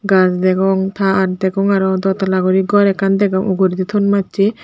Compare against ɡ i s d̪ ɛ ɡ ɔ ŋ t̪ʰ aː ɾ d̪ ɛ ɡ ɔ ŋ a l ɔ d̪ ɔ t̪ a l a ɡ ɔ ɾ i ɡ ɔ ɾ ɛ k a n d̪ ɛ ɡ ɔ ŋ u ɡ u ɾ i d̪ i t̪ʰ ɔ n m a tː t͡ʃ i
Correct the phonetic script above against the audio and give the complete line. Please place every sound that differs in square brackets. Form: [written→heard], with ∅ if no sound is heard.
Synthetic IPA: ɡ [i→a] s d̪ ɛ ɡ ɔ ŋ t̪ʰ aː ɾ d̪ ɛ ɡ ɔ ŋ a [l→ɾ] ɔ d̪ ɔ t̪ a l a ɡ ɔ ɾ i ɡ ɔ ɾ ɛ k a n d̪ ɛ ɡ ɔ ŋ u ɡ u ɾ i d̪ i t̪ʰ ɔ n m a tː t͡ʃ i